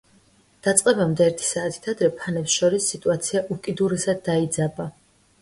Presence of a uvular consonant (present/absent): present